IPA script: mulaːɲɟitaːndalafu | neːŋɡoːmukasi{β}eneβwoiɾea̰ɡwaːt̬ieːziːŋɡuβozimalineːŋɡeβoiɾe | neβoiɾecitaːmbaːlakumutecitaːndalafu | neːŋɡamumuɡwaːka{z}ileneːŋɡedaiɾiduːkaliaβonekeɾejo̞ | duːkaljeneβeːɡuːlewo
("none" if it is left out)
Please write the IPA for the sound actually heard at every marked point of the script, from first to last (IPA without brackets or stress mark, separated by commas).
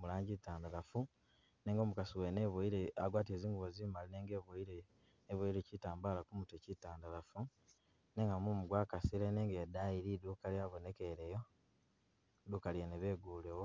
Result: w, s